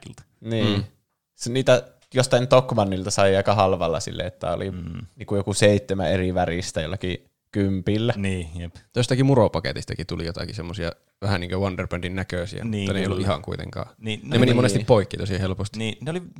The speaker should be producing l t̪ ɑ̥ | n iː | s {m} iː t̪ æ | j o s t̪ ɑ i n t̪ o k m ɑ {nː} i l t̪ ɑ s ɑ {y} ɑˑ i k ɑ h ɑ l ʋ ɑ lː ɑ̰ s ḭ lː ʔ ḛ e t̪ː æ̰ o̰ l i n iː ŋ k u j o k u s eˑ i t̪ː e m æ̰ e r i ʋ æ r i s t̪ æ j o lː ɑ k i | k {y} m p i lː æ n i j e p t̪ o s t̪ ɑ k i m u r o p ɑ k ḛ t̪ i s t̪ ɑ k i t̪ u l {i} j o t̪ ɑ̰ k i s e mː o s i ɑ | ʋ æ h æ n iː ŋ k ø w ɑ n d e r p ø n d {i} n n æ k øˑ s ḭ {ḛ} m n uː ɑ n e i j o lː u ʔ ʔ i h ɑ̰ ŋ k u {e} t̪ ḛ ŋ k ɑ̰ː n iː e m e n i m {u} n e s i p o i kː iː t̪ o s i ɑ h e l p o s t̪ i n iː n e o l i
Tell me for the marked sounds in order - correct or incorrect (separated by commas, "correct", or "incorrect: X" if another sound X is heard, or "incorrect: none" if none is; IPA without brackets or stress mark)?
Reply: incorrect: n, correct, incorrect: i, correct, correct, correct, incorrect: æ̰, incorrect: i, incorrect: o